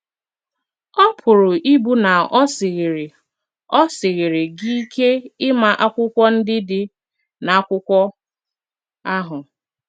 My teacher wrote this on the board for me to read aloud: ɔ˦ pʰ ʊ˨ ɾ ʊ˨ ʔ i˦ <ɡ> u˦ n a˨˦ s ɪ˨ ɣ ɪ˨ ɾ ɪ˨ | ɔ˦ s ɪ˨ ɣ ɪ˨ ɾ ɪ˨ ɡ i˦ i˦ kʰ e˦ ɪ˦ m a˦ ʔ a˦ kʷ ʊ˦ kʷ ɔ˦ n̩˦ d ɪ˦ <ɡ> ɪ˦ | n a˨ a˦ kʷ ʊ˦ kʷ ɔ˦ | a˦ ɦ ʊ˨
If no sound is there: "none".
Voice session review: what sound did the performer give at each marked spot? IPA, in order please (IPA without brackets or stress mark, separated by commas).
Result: b, d